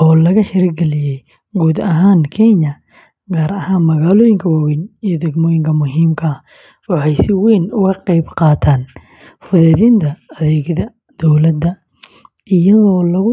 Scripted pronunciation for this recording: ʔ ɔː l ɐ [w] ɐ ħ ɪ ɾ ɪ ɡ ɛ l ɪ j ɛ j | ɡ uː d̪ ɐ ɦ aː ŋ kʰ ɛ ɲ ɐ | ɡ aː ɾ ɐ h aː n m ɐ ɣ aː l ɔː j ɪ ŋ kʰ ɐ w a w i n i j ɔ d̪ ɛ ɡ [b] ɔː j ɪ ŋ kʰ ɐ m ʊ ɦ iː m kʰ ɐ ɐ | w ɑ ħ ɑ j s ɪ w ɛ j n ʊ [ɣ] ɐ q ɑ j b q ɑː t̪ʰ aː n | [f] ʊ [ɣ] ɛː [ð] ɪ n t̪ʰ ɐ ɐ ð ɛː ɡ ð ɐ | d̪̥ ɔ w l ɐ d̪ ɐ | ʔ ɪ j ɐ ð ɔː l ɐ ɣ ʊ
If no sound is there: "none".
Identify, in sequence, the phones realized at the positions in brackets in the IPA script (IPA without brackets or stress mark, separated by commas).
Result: ɣ, m, ɣ, f, ð, ð